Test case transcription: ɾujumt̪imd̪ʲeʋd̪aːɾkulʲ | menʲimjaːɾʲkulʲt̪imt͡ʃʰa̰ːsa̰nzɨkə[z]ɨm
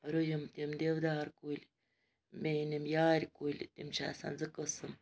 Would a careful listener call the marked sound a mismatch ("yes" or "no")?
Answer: yes